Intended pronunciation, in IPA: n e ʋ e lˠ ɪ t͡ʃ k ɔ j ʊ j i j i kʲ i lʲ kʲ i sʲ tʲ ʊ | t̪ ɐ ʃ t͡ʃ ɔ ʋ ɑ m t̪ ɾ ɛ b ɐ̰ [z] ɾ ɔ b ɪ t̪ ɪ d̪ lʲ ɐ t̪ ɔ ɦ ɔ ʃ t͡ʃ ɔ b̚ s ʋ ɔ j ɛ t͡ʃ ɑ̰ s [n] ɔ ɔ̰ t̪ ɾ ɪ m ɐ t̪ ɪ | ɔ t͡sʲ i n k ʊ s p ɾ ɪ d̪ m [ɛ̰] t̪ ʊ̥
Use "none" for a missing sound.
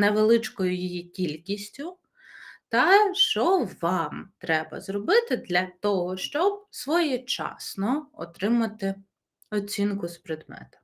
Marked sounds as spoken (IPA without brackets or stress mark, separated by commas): z, n, ɛ̰